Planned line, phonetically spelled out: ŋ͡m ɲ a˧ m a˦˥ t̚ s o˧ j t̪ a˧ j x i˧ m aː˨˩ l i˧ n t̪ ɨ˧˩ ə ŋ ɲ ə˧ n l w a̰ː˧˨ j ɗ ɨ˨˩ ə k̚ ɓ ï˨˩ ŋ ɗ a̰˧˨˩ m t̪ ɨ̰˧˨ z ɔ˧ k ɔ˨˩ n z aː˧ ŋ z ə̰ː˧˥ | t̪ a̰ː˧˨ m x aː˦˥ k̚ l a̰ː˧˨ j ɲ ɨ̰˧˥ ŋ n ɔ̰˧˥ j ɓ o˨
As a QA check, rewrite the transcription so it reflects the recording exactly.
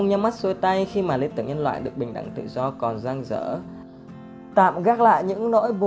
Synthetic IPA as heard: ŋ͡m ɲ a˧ m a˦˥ t̚ s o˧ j t̪ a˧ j x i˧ m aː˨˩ l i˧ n t̪ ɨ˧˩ ə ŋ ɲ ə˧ n l w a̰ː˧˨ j ɗ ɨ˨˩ ə k̚ ɓ ï˨˩ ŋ ɗ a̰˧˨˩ ŋ t̪ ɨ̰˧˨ z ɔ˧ k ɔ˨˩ n z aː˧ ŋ z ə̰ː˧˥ | t̪ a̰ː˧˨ m ɣ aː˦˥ k̚ l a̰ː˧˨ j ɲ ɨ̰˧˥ ŋ n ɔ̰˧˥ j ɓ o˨